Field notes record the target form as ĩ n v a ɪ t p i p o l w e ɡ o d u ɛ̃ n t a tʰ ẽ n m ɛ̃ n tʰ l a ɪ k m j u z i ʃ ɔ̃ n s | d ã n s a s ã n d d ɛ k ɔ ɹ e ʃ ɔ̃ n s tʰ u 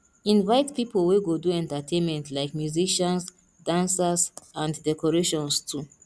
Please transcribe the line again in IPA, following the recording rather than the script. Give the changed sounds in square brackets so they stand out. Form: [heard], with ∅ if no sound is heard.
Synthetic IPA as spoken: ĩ n v a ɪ t p i p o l w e ɡ o d u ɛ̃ n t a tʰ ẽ n m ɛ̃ n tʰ l a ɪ k m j u z i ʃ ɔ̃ n s | d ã n s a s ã n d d ɛ k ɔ ɹ e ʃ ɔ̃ n s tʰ u